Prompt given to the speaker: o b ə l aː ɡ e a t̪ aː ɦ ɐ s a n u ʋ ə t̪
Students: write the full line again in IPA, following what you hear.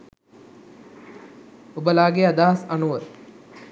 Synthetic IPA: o b ə l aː ɡ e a d̪ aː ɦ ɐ s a n u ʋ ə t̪